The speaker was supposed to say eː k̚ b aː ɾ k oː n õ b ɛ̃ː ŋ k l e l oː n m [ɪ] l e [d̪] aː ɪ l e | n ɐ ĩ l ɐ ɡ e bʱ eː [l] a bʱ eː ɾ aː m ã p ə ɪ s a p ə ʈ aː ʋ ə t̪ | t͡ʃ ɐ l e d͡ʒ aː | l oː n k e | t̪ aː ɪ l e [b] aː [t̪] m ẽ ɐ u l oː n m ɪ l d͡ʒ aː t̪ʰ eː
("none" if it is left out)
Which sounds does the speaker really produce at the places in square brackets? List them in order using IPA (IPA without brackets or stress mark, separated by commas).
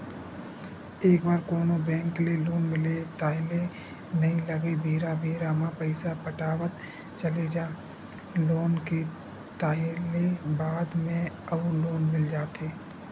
ɪ, t̪, ɾ, b, d̪